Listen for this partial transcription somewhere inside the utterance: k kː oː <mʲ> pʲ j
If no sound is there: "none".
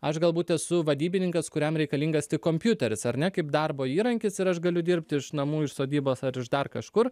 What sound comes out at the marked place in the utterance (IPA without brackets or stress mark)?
mʲ